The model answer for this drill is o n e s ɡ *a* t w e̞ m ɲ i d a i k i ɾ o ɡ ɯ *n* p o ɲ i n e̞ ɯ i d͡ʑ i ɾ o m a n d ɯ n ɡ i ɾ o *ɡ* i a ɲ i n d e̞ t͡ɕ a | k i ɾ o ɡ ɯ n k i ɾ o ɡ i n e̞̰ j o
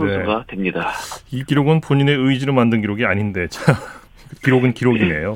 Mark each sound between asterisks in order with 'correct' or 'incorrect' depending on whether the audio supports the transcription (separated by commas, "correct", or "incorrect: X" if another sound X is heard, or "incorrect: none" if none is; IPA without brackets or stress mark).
correct, correct, correct